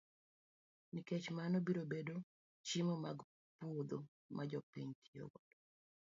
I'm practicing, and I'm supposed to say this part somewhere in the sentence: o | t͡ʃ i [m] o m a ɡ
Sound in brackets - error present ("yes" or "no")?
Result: no